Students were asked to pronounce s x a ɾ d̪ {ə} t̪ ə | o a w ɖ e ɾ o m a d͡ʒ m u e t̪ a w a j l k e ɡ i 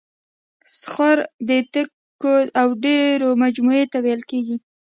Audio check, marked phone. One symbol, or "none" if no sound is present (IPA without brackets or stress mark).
ə